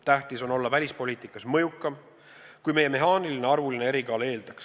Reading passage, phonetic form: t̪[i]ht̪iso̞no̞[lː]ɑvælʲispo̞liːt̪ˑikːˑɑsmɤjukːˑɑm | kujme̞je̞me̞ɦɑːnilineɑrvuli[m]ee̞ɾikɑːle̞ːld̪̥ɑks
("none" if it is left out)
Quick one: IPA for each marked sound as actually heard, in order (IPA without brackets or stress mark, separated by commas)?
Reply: æ, lː, n